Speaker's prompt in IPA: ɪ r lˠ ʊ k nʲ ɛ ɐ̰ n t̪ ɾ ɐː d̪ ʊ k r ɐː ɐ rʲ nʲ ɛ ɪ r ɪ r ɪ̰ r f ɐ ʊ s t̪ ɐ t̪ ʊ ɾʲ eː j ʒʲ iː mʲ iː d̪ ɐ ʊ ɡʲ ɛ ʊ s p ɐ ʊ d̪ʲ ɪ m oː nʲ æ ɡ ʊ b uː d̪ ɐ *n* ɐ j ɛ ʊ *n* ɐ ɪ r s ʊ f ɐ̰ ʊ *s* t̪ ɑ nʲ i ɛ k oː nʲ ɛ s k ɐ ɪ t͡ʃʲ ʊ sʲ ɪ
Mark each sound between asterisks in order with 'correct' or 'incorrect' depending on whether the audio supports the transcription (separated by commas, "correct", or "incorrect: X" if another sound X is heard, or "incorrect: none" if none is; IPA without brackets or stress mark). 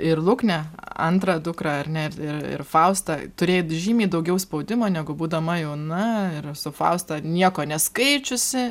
incorrect: m, correct, correct